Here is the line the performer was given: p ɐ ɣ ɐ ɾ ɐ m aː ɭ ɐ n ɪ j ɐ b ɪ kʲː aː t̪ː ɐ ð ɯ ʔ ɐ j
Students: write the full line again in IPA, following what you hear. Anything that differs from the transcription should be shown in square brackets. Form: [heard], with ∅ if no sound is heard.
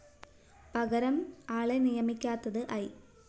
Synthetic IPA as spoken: p ɐ ɣ ɐ ɾ ɐ m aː ɭ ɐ n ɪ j ɐ [m] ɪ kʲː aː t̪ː ɐ ð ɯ ʔ ɐ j